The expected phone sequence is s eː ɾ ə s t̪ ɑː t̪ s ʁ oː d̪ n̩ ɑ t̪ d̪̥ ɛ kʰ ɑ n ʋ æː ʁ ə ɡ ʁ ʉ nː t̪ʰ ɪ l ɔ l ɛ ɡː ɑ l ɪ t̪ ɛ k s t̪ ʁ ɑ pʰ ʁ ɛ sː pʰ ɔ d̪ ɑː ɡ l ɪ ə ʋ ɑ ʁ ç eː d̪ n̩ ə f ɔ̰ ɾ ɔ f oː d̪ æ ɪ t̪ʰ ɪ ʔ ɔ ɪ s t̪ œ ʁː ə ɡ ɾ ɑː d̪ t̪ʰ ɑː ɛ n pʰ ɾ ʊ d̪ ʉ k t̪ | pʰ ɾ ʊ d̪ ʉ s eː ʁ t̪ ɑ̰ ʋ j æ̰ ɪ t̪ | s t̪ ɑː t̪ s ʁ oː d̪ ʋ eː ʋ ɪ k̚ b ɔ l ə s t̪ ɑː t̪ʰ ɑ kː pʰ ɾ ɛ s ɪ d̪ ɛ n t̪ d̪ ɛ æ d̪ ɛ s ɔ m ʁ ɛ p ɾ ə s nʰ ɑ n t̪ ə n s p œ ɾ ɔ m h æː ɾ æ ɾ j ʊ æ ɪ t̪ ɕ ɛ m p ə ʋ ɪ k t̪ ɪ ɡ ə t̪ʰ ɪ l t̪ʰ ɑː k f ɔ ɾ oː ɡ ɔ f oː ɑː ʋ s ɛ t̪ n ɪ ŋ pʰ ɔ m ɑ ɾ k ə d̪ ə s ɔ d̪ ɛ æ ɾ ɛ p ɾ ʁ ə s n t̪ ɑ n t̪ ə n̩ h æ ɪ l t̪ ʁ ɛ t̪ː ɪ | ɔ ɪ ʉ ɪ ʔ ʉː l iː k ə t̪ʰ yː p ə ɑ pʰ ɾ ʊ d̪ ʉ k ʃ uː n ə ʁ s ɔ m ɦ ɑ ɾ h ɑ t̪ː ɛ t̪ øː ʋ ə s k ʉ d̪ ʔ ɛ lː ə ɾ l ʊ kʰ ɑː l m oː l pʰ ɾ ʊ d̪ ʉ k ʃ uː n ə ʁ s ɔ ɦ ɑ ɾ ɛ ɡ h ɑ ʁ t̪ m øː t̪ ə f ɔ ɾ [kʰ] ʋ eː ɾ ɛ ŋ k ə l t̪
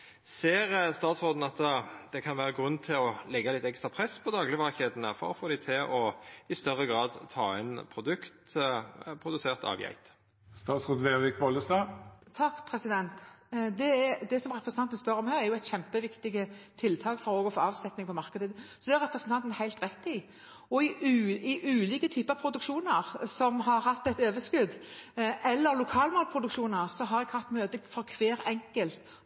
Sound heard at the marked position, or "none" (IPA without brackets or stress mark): kʰ